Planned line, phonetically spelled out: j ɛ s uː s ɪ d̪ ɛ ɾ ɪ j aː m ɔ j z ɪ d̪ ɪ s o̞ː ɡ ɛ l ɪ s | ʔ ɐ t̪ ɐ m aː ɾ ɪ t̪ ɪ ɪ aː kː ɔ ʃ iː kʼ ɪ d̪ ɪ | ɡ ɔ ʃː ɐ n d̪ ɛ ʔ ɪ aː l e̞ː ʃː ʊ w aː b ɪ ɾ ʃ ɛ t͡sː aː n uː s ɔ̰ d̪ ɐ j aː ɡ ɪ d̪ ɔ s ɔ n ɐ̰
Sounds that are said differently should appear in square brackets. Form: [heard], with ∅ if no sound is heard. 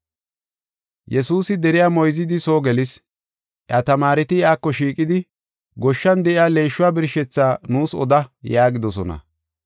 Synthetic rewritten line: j ɛ s uː s ɪ d̪ ɛ ɾ ɪ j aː m ɔ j z ɪ d̪ ɪ s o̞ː ɡ ɛ l ɪ s | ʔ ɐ t̪ ɐ m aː ɾ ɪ t̪ ɪ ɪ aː kː ɔ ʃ iː kʼ ɪ d̪ ɪ | ɡ ɔ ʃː ɐ n d̪ ɛ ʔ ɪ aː l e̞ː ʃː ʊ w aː b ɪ ɾ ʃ ɛ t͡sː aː n uː s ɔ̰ d̪ ɐ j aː ɡ ɪ d̪ ɔ s ɔ n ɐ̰